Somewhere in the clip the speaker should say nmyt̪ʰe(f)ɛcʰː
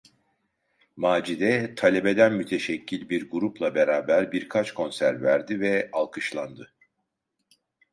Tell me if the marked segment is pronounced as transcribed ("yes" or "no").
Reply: no